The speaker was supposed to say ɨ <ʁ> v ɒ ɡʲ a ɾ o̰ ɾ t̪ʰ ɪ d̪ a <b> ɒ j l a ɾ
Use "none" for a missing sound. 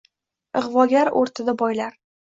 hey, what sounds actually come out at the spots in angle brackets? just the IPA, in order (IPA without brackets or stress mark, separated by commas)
ʁ, b